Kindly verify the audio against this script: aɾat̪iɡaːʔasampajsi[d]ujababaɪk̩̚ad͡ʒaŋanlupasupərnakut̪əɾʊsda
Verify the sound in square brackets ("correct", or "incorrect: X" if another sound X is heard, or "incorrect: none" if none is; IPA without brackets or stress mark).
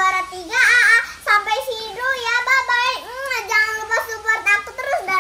correct